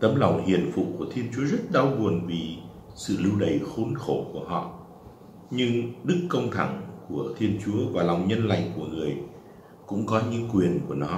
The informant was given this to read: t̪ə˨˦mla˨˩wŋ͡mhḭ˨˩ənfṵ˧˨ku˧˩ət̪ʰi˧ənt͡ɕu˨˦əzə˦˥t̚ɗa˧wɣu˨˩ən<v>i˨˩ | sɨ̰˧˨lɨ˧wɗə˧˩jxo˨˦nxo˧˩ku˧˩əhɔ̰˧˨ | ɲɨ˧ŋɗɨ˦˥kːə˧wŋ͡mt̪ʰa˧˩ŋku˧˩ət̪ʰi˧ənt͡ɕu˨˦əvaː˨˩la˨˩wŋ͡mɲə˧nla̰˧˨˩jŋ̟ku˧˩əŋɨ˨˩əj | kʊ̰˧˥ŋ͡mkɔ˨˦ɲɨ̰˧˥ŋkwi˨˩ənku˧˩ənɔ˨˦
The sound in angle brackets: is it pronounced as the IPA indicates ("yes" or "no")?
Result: yes